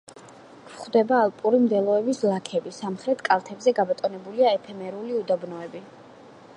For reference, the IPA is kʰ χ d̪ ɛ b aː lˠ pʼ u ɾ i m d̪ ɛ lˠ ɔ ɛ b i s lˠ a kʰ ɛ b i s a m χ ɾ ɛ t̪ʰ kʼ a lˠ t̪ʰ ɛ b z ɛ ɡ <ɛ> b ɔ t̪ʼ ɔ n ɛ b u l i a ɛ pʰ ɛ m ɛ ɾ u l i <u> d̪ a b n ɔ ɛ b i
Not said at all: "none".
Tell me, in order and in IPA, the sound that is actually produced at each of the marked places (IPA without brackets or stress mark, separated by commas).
a, u